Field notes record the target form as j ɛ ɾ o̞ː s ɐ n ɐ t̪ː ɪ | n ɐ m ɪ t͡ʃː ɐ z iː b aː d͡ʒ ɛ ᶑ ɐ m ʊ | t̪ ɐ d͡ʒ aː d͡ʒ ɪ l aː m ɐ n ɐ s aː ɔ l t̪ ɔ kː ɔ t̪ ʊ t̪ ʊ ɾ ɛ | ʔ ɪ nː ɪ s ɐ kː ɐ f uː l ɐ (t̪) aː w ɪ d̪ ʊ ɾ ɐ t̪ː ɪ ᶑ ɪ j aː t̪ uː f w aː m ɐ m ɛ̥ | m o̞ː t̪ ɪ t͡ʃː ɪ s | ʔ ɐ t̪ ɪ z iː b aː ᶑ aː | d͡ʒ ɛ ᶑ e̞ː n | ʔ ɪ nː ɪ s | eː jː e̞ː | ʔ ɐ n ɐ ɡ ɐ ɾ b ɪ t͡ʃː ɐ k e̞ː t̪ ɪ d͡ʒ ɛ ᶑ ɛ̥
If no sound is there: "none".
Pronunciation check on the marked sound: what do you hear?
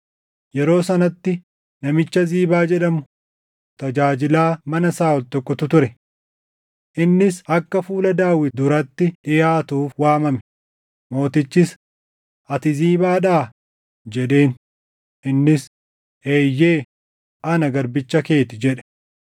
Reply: d̪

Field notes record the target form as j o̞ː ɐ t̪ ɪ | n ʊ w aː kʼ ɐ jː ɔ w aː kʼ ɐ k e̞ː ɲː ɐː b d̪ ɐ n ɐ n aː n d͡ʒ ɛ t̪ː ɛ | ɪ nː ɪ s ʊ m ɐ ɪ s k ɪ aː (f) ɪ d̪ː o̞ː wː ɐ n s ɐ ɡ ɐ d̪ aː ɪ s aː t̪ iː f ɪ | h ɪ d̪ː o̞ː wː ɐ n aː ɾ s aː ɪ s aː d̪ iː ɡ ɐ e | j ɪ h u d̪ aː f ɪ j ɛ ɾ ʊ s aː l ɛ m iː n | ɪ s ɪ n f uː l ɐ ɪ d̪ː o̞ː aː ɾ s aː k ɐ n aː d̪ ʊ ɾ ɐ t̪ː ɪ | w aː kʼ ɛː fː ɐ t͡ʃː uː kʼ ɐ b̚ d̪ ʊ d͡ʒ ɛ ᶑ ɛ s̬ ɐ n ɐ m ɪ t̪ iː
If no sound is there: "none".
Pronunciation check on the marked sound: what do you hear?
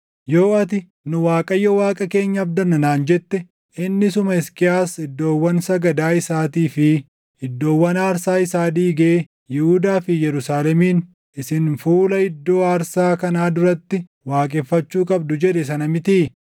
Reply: s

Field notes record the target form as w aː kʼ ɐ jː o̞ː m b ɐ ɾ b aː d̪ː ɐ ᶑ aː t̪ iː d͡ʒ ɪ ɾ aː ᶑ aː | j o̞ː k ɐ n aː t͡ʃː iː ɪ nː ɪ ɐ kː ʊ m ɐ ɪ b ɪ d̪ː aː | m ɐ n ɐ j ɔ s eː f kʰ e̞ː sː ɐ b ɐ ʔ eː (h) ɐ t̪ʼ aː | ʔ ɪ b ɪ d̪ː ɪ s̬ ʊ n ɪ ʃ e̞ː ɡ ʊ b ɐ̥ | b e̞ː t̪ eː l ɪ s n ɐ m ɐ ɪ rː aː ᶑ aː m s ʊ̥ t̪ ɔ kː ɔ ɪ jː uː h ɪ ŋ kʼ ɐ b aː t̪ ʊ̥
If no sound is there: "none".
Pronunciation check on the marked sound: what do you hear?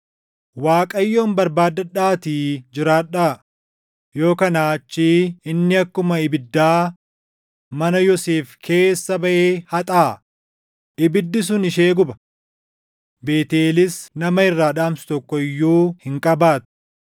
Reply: h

